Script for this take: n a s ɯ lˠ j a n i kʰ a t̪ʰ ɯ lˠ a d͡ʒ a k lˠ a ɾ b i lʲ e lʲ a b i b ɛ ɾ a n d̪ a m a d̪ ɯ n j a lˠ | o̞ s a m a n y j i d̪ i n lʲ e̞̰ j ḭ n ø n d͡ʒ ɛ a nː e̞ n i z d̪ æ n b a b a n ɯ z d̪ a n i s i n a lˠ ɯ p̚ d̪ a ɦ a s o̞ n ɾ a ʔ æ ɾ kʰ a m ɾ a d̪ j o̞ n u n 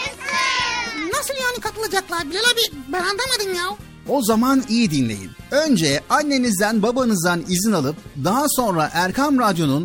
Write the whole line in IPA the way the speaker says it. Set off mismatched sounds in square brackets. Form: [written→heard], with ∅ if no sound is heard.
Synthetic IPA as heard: n a s ɯ lˠ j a n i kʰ a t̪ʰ ɯ lˠ a d͡ʒ a k lˠ a ɾ b i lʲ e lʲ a b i b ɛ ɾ a n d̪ a m a d̪ ɯ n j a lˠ | o̞ [s→z] a m a n [y→i] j i d̪ i n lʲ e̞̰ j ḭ n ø n d͡ʒ ɛ a nː e̞ n i z d̪ æ n b a b a n ɯ z d̪ a n i [s→z] i n a lˠ ɯ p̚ d̪ a ɦ a s o̞ n ɾ a ʔ æ ɾ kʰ a m ɾ a d̪ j o̞ n u n